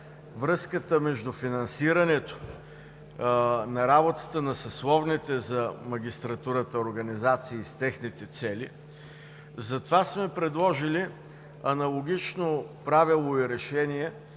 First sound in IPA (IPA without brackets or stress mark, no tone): v